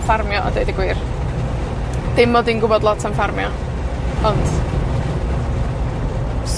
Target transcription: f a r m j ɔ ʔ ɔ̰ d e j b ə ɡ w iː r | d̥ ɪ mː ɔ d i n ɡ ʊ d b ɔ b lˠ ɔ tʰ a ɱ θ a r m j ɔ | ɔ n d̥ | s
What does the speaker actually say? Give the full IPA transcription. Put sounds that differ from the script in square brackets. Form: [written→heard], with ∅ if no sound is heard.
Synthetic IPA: f a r m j ɔ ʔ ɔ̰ d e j [b→d] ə ɡ w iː r | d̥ ɪ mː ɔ d i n ɡ ʊ [d→∅] b ɔ [b→d] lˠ ɔ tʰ a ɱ [θ→f] a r m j ɔ | ɔ n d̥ | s